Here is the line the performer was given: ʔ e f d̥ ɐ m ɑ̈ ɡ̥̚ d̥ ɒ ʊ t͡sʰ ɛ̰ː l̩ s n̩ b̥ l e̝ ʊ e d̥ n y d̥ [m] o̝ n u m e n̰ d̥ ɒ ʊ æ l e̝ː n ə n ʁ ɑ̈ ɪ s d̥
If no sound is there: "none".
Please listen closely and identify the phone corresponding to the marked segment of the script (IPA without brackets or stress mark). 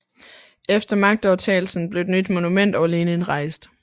m